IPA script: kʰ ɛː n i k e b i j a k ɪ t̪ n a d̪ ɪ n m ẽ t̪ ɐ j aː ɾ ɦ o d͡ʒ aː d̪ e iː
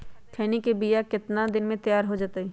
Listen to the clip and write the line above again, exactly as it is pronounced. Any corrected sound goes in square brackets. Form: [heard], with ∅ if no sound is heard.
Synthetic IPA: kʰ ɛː n i k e b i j a k ɪ t̪ n a d̪ ɪ n m ẽ t̪ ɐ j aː ɾ ɦ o d͡ʒ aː [t̪] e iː